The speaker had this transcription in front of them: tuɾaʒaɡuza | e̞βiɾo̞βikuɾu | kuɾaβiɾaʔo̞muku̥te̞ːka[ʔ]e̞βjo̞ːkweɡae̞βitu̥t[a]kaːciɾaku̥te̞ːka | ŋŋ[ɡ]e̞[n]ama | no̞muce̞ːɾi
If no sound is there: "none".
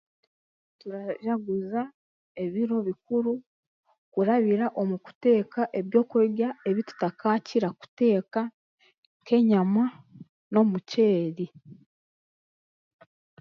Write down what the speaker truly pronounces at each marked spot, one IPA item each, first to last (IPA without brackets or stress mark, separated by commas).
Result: ʔ, a, k, ɲ